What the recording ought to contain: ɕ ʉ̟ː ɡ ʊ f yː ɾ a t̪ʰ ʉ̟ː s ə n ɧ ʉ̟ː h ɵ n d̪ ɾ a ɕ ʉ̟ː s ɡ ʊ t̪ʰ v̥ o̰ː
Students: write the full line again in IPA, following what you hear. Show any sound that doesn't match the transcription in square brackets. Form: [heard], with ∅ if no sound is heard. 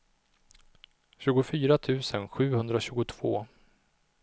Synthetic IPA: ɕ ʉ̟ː ɡ ʊ f yː ɾ a t̪ʰ ʉ̟ː s ə n ɧ ʉ̟ː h ɵ n d̪ ɾ a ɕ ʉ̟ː [∅] ɡ ʊ t̪ʰ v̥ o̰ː